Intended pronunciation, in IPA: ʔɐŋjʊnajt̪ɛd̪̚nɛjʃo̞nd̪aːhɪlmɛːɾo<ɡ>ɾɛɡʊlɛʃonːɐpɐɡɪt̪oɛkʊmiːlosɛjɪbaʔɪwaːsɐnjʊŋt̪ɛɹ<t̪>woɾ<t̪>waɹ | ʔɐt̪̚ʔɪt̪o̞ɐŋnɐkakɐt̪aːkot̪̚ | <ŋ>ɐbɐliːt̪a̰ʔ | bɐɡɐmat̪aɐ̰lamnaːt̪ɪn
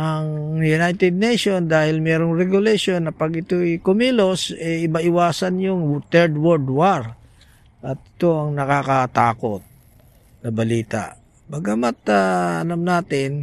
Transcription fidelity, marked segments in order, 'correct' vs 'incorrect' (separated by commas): incorrect, incorrect, incorrect, incorrect